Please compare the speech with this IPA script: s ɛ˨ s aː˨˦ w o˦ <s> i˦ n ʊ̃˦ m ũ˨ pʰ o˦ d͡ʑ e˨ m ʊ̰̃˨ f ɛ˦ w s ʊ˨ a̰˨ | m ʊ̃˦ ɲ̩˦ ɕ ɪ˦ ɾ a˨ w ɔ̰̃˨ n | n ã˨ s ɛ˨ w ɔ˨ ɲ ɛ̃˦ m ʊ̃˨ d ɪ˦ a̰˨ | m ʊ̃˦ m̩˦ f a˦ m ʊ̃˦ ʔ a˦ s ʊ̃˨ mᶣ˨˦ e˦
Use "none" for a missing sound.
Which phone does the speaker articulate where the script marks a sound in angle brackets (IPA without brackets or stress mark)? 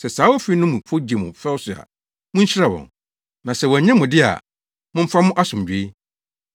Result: f